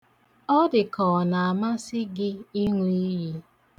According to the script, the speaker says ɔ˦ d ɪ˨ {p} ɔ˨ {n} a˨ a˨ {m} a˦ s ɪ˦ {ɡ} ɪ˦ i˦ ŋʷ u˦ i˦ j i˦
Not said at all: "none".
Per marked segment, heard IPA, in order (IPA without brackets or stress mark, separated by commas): k, n, m, ɡ